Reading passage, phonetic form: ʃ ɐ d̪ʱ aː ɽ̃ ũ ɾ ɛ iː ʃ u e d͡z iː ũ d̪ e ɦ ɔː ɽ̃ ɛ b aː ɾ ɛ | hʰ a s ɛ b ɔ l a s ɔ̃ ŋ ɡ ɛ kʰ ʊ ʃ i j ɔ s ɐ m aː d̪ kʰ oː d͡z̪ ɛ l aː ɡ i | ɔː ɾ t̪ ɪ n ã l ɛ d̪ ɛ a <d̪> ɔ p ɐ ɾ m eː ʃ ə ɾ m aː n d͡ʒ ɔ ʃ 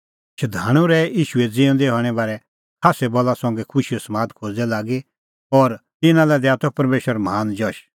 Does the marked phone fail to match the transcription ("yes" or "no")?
yes